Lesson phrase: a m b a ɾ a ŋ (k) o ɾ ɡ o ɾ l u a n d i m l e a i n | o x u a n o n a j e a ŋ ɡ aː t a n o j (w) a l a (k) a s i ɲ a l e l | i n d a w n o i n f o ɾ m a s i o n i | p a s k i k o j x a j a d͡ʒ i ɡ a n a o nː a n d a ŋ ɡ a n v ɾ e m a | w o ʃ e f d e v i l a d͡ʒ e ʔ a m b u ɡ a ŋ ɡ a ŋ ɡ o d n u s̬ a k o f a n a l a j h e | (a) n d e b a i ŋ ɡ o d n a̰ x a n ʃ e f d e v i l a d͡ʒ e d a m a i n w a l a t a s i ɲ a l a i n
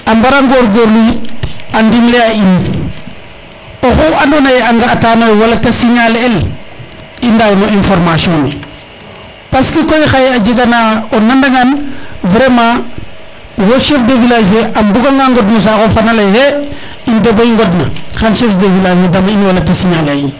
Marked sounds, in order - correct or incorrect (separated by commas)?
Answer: incorrect, correct, incorrect, incorrect